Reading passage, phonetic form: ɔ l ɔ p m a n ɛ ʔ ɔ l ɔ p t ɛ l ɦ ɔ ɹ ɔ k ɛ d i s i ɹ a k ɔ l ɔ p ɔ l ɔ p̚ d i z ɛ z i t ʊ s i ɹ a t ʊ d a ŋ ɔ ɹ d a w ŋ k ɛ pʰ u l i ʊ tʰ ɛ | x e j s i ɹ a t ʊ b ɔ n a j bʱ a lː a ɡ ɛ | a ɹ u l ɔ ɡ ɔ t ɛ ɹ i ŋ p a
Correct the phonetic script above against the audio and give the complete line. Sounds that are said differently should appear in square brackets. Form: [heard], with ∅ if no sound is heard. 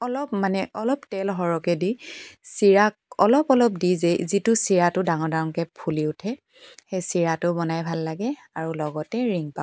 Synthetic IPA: ɔ l ɔ p m a n ɛ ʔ ɔ l ɔ p t ɛ l ɦ ɔ ɹ ɔ k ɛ d i s i ɹ a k ɔ l ɔ p ɔ l ɔ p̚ d i z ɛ z i t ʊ s i ɹ a t ʊ d a ŋ ɔ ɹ d a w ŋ k ɛ pʰ u l i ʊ tʰ ɛ | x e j s i ɹ a t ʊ b ɔ n a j bʱ a lː a ɡ ɛ | a ɹ u l ɔ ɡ ɔ t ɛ ɹ i ŋ p a

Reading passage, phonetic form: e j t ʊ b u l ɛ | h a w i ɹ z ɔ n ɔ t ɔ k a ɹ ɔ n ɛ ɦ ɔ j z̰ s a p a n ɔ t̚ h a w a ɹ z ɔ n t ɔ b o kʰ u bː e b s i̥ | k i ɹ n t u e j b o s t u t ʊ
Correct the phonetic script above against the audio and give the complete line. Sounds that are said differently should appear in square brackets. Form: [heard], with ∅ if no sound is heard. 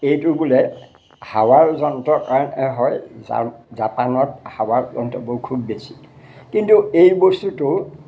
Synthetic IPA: e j t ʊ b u l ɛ | h a w [a] ɹ z ɔ n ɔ t ɔ k a ɹ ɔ n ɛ ɦ ɔ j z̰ [z] a p a n ɔ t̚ h a w a ɹ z ɔ n t ɔ b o kʰ u bː e [∅] s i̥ | k i [∅] n t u e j b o s t u t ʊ

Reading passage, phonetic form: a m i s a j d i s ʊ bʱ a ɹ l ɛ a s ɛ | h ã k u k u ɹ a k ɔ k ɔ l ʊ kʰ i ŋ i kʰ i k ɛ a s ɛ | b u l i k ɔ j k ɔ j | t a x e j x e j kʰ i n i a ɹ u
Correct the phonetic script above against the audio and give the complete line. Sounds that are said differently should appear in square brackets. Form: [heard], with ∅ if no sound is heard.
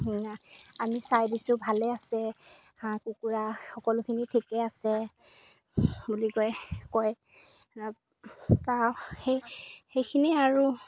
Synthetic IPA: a m i s a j d i s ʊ bʱ a [∅] l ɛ a s ɛ | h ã k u k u ɹ a [x] ɔ k ɔ l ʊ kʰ i [n] i [tʰ] i k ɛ a s ɛ | b u l i k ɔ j k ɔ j | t a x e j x e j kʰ i n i a ɹ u

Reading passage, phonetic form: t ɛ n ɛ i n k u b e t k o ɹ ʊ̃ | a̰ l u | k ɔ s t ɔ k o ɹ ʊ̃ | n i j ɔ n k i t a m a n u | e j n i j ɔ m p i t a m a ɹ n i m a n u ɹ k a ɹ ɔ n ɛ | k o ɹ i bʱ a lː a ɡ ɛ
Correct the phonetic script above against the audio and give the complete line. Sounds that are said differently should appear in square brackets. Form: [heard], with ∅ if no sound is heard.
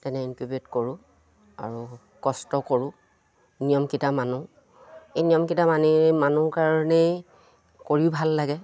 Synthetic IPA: t ɛ n ɛ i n k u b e t k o ɹ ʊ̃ | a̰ [ɹ] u | k ɔ s t ɔ k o ɹ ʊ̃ | n i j ɔ [m] k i t a m a n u | e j n i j ɔ m [k] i t a m a [∅] n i m a n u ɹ k a ɹ ɔ n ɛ | k o ɹ i bʱ a lː a ɡ ɛ

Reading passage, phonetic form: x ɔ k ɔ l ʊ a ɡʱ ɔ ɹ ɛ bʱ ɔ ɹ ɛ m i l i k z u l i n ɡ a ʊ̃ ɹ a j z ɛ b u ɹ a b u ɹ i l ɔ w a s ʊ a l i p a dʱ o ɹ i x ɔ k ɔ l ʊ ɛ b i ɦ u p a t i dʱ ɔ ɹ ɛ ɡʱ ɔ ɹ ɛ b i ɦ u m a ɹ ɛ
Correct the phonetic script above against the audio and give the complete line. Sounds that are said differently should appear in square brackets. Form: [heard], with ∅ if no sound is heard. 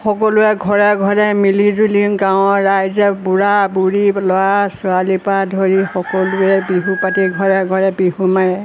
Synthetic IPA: x ɔ k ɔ l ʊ [ɛ] ɡʱ ɔ ɹ ɛ [ɡʱ] ɔ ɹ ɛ m i l i [∅] z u l i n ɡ a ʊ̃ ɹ a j z ɛ b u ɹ a b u ɹ i l ɔ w a s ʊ a l i p a dʱ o ɹ i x ɔ k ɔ l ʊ ɛ b i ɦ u p a t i [ɡʱ] ɔ ɹ ɛ ɡʱ ɔ ɹ ɛ b i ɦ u m a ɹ ɛ

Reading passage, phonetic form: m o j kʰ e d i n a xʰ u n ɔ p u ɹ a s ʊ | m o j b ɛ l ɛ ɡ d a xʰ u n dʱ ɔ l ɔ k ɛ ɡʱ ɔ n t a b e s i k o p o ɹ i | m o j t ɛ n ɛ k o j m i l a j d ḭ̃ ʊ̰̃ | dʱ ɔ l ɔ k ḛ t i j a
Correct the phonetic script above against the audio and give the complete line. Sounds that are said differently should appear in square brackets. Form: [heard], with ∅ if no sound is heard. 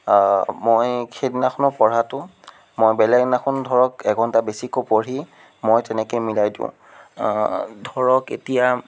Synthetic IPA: m o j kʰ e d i n a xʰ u n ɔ p [ɔ] ɹ a [t] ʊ | m o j b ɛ l ɛ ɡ [n] a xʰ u n dʱ ɔ [ɹ] ɔ k ɛ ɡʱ ɔ n t a b e s i k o p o ɹ i | m o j t ɛ n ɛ k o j m i l a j d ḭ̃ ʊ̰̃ | dʱ ɔ [ɹ] ɔ k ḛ t i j a

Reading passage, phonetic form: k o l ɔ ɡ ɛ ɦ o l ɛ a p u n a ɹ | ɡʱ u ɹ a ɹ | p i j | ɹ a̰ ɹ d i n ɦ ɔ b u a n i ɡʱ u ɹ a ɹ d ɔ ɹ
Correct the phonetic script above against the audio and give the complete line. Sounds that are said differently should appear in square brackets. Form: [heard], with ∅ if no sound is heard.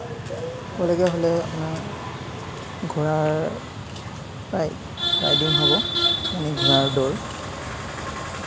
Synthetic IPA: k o l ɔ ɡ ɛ ɦ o l ɛ a p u n a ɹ | ɡʱ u ɹ a ɹ | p [a] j | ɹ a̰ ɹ d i n ɦ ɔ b [ɔ] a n i ɡʱ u ɹ a ɹ d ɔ ɹ

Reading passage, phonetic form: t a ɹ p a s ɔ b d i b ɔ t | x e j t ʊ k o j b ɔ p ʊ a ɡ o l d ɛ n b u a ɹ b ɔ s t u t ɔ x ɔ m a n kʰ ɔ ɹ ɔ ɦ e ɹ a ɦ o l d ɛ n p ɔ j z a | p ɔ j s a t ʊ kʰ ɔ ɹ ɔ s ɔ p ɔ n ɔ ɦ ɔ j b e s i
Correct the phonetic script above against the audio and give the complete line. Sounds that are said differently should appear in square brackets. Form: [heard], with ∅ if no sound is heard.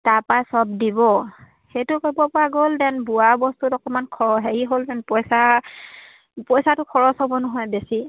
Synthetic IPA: t a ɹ p a s ɔ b d i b ɔ [∅] | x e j t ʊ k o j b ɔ p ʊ a ɡ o l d ɛ n b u a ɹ b ɔ s t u t ɔ [k] ɔ m a n kʰ ɔ ɹ ɔ ɦ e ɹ [i] ɦ o l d ɛ n p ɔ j [s] a | p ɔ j s a t ʊ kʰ ɔ ɹ ɔ s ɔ [b] ɔ n ɔ ɦ ɔ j b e s i

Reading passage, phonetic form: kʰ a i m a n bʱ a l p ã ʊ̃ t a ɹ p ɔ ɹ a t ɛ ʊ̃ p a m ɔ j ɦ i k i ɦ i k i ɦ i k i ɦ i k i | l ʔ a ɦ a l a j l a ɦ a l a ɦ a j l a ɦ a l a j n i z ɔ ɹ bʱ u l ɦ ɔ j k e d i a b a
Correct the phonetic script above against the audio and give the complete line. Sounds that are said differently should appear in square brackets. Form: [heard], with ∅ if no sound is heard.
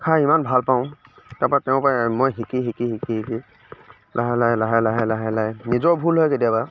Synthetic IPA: kʰ a i m a n bʱ a l p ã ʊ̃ t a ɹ p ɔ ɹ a t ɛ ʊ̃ p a m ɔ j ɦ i k i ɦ i k i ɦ i k i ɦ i k i | l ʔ a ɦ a l a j l a ɦ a l a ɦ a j l a ɦ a l a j n i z ɔ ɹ bʱ u l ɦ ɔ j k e d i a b a

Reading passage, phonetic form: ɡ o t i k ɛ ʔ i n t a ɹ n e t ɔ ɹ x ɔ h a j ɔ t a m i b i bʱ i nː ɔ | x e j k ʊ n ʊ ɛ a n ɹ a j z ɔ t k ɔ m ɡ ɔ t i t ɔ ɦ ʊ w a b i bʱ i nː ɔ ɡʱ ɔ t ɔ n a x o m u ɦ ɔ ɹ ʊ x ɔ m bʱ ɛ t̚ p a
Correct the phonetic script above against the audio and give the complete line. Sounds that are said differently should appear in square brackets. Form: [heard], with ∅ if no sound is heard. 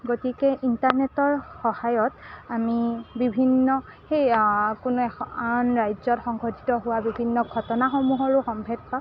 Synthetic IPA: ɡ o t i k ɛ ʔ i n t a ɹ n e t ɔ ɹ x ɔ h a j ɔ t a m i b i bʱ i nː ɔ | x e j k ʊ n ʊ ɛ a n ɹ a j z ɔ t [x] ɔ [ŋ] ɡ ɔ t i t ɔ ɦ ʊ w a b i bʱ i nː ɔ ɡʱ ɔ t ɔ n a x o m u ɦ ɔ ɹ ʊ x ɔ m bʱ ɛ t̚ p a

